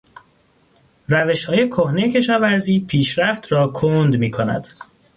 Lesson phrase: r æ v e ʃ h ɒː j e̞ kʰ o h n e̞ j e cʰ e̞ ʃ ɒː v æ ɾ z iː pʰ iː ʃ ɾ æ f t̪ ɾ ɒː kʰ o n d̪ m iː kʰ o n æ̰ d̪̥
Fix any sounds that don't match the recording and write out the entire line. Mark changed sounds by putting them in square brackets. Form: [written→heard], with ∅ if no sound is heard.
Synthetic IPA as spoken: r æ v e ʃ h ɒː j e̞ kʰ o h n e̞ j e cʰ e̞ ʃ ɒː v æ ɾ z iː pʰ iː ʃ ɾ æ f t̪ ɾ ɒː kʰ o n d̪ m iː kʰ o n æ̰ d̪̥